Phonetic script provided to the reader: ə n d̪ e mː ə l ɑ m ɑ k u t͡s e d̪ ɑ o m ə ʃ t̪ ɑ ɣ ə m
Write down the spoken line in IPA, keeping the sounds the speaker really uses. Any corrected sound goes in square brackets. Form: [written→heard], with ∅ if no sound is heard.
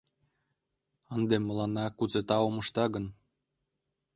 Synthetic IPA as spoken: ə n d̪ e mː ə l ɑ [m→n] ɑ k u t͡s e [d̪→t̪] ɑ o m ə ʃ t̪ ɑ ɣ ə [m→n]